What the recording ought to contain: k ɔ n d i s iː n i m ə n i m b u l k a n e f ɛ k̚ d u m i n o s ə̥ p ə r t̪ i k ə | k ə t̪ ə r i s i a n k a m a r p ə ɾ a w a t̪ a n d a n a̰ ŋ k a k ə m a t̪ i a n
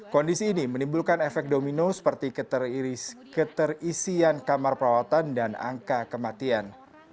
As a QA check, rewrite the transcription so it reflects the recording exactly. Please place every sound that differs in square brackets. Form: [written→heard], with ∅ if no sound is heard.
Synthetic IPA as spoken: k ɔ n d i s iː n i m ə n i m b u l k a n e f ɛ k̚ d [u→o] m i n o s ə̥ p ə r t̪ i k ə | k ə t̪ ə r i s i a n k a m a r p ə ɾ a w a t̪ a n d a n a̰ ŋ k a k ə m a t̪ i a n